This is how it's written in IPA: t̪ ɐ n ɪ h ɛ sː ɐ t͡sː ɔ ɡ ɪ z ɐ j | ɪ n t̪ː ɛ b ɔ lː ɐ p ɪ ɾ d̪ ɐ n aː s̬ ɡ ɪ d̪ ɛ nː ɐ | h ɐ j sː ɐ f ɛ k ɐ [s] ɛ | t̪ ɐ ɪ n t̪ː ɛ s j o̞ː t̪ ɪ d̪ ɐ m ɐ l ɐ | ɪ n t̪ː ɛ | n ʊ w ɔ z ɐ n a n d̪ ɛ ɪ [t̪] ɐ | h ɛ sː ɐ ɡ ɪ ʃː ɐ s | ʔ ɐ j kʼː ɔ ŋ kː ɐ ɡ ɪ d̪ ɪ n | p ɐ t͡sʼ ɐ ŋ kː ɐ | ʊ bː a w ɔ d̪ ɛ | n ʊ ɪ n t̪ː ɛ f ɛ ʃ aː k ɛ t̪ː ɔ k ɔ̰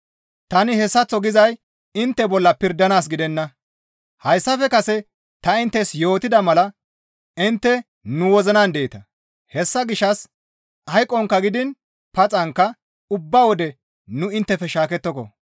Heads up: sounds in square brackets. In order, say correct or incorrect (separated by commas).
correct, correct